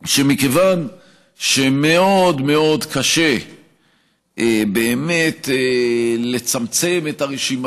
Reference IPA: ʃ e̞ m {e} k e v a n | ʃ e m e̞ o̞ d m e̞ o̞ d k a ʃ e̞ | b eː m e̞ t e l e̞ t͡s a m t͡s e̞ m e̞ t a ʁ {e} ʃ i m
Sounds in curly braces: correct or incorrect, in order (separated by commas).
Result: incorrect, correct